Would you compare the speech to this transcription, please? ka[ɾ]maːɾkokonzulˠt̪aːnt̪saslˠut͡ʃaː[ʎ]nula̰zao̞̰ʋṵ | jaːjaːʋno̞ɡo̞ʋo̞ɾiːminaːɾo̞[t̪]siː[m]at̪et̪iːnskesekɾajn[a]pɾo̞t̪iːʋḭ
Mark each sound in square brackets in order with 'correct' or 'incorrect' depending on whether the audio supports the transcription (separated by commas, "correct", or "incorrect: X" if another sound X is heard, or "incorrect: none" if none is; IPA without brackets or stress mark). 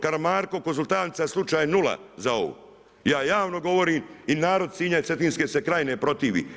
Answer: correct, incorrect: j, incorrect: d̪, incorrect: ɲ, incorrect: e